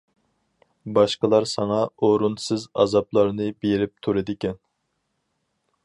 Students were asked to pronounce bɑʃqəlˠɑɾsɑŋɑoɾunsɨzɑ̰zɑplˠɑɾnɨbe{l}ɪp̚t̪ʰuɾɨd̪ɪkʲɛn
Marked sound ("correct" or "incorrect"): incorrect